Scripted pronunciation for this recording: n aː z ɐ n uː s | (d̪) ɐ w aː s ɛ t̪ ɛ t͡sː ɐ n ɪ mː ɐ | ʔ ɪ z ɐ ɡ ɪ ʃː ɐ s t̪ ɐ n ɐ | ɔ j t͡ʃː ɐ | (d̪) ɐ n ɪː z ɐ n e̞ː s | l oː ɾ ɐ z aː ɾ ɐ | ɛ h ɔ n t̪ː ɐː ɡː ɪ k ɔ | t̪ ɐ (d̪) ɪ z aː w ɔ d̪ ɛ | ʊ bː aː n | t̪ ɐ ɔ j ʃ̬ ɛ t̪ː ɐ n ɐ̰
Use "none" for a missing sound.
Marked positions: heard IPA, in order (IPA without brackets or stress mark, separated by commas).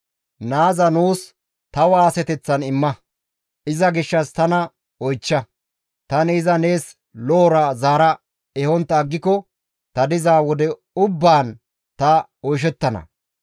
t̪, t̪, d̪